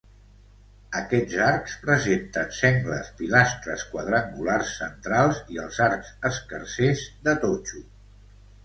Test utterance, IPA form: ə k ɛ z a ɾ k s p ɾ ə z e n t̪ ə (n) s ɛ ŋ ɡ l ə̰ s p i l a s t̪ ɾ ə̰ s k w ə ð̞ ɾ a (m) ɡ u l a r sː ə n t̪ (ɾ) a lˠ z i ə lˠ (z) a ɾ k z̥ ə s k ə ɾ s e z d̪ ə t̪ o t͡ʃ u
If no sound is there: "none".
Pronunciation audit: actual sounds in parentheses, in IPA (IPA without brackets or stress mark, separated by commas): n, ŋ, ɾ, z